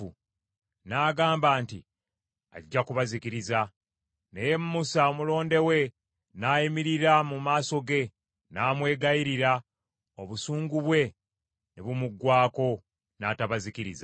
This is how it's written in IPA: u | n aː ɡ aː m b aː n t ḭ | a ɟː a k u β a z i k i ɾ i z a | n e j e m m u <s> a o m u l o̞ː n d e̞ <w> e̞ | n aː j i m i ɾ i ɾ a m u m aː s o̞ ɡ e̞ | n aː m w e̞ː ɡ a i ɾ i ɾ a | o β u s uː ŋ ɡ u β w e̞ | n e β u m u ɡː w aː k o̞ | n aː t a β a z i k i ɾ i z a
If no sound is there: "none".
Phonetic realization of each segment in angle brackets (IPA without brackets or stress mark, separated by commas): s, w